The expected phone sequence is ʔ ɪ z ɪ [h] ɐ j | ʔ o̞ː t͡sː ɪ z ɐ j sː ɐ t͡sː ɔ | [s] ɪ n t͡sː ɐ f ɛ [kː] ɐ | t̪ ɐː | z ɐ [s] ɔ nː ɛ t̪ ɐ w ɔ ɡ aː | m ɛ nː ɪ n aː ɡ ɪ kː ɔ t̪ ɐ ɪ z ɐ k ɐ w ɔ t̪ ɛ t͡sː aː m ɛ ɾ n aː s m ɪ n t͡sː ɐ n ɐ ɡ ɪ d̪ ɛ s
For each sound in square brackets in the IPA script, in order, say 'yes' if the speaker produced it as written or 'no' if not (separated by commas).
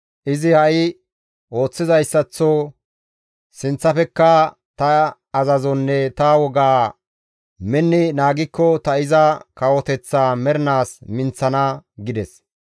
yes, yes, yes, no